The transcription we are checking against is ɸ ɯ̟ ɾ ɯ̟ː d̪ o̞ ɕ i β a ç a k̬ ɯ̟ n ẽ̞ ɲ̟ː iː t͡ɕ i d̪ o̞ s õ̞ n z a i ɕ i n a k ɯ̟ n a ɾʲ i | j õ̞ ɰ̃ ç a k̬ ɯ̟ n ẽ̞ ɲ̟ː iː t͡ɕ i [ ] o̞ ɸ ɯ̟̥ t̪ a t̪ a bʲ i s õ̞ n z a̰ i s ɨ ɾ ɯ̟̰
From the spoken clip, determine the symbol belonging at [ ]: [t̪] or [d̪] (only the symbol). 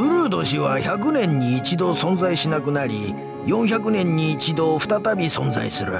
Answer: d̪